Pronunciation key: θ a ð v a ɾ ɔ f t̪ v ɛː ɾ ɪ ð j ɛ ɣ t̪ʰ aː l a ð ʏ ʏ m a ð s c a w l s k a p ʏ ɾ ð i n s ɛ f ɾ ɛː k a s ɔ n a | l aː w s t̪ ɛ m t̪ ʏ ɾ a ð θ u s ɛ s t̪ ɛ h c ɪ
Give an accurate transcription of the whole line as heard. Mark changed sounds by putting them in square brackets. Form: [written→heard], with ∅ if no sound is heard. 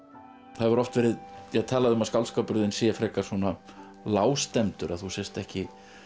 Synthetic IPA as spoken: θ a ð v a ɾ ɔ f t̪ v ɛː ɾ ɪ ð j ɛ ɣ t̪ʰ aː l a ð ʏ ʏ m a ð s [c→k] a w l s k a p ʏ ɾ ð [i→ɪ] n s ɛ f ɾ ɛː k a s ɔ n a | l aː w s t̪ ɛ m t̪ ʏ ɾ a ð θ u s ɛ s t̪ ɛ h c ɪ